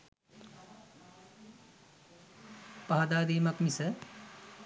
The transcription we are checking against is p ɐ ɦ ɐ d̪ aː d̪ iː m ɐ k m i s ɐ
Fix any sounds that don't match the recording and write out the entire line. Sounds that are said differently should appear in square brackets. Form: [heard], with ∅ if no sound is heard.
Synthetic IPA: p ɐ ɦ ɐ d̪ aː d̪ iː m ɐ k m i s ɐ